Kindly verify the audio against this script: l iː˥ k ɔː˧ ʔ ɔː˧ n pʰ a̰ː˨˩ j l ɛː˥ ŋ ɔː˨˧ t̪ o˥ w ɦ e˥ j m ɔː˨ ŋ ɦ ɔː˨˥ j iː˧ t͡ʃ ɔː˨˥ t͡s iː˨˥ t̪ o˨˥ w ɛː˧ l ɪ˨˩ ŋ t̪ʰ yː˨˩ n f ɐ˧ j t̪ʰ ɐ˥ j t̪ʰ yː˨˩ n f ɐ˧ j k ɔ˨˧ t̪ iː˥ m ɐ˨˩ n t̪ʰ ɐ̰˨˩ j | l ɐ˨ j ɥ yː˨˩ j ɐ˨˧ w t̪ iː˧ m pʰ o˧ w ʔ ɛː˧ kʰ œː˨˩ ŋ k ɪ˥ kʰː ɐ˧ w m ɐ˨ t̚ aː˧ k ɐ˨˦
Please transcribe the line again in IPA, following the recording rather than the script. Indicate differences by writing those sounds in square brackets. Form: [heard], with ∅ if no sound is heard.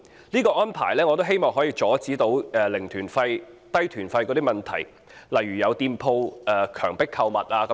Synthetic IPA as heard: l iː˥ k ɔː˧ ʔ [ɔː˥] n pʰ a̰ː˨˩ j l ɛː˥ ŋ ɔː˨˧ t̪ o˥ w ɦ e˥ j m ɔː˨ ŋ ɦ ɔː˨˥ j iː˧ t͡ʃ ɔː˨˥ t͡s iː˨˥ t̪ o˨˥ w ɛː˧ l ɪ˨˩ ŋ t̪ʰ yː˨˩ n f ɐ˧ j [t̪] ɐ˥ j t̪ʰ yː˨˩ n f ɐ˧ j k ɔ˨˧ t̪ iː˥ m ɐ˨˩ n t̪ʰ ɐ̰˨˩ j | l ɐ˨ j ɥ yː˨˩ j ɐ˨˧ w t̪ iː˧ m pʰ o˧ w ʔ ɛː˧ kʰ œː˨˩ ŋ [p] ɪ˥ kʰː ɐ˧ w m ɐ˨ t̚ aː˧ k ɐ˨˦